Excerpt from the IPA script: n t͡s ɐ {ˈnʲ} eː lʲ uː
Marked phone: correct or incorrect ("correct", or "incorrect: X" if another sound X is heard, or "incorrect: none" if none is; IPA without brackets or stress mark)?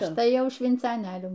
correct